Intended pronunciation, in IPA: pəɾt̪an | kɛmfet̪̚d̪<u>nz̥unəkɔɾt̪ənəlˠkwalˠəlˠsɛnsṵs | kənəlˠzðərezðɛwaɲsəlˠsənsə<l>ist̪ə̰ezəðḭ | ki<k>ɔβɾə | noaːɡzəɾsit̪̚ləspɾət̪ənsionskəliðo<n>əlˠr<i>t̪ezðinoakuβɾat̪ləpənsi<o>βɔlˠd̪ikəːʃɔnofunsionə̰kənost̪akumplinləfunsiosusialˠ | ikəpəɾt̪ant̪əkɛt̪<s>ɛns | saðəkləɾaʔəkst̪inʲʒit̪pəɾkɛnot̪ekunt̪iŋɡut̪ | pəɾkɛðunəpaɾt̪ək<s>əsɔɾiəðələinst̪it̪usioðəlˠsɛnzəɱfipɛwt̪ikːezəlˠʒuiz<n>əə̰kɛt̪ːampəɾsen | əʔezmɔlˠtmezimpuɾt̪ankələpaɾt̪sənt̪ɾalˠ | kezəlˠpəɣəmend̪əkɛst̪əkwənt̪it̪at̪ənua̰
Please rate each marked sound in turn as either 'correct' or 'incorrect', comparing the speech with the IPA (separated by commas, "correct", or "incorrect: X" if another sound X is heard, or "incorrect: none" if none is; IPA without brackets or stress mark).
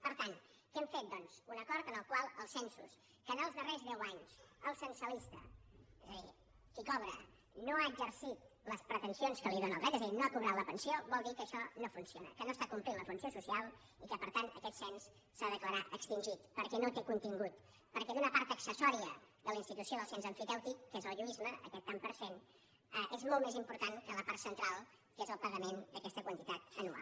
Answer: incorrect: ɔ, correct, correct, correct, incorrect: ɛ, correct, correct, correct, incorrect: m